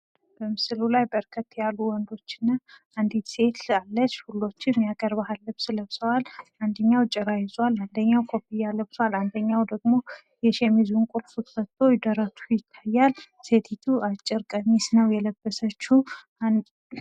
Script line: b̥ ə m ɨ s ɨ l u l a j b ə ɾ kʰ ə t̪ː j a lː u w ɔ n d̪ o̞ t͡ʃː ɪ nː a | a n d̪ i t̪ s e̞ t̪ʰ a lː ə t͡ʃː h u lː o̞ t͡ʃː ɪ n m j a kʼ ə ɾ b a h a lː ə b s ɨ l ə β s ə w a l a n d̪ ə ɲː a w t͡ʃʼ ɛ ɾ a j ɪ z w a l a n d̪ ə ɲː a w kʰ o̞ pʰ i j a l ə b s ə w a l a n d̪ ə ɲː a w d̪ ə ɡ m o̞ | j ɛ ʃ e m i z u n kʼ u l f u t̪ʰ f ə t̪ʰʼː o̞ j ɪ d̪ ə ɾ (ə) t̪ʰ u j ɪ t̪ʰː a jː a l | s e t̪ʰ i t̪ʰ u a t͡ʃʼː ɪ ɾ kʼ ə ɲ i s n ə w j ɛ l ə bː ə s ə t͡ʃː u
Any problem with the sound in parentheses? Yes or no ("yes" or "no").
no